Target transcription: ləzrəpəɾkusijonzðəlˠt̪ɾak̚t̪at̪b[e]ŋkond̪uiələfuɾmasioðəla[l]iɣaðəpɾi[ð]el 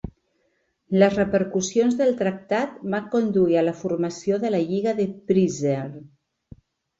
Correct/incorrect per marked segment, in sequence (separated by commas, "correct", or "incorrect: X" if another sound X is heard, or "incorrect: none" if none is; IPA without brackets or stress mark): incorrect: a, incorrect: ʎ, incorrect: z